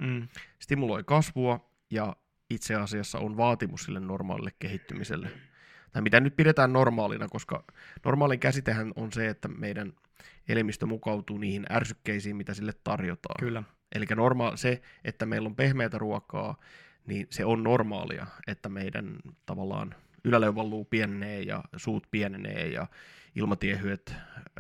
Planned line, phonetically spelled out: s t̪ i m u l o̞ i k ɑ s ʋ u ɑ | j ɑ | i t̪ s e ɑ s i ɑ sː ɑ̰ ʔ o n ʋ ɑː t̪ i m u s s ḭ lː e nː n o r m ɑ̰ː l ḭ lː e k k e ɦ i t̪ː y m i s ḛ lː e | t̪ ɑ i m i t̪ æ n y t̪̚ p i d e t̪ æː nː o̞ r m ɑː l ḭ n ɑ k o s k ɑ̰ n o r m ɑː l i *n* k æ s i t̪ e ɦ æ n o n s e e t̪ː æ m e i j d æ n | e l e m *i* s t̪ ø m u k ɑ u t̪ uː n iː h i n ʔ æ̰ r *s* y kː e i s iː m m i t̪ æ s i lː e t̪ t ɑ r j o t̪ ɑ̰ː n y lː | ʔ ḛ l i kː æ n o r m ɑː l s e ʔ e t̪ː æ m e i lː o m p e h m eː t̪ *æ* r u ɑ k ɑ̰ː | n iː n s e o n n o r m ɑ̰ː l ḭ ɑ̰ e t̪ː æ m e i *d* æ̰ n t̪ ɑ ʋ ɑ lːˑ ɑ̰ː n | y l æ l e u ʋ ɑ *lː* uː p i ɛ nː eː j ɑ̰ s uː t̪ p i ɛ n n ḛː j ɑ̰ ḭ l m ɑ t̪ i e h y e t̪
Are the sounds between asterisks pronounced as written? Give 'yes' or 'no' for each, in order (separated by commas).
no, yes, yes, yes, yes, yes